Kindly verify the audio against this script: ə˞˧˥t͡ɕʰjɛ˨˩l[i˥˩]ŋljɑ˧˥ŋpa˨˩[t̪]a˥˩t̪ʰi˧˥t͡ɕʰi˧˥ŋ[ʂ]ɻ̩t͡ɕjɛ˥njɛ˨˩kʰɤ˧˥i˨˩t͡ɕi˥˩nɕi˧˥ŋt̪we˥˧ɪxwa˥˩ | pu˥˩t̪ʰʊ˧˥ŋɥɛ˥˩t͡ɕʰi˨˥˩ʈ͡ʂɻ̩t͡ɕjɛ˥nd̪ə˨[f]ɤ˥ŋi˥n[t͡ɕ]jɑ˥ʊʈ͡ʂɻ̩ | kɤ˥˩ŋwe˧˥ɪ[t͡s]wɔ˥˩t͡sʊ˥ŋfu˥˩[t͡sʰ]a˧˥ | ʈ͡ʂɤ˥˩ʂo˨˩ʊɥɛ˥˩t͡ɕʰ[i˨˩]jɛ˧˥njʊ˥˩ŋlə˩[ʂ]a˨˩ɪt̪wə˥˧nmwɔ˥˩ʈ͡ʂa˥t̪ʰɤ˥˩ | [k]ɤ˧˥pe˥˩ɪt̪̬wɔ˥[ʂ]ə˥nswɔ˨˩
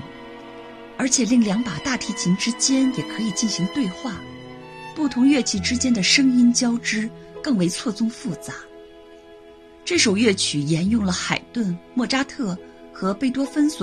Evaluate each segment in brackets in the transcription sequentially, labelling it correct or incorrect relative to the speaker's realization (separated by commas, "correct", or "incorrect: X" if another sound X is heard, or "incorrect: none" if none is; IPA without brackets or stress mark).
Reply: correct, correct, incorrect: ʈ͡ʂ, incorrect: ʂ, correct, incorrect: t͡sʰ, incorrect: t͡s, incorrect: y˨˩, incorrect: x, incorrect: x, incorrect: f